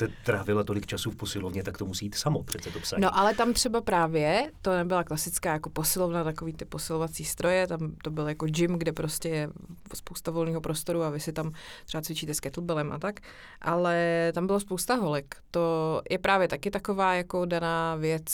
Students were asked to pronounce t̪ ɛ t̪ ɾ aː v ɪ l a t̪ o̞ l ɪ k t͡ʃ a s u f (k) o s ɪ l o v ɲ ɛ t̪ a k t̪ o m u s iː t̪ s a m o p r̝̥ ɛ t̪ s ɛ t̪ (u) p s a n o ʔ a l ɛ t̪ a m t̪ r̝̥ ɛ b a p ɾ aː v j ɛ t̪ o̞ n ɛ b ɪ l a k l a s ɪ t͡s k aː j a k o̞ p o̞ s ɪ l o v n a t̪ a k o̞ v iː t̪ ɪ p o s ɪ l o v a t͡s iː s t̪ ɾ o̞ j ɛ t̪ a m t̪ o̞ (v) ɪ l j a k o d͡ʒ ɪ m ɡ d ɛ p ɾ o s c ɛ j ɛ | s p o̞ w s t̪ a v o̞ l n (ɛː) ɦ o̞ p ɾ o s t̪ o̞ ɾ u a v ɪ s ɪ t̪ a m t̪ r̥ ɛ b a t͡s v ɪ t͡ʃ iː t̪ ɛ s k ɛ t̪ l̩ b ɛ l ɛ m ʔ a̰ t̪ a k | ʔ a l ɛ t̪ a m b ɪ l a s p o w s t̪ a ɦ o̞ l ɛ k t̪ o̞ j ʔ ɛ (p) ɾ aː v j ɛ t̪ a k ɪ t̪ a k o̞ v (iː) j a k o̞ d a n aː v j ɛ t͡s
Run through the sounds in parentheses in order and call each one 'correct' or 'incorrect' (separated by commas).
incorrect, incorrect, incorrect, incorrect, correct, incorrect